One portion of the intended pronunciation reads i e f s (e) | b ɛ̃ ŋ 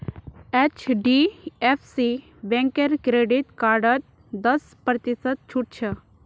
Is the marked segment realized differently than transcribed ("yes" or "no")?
yes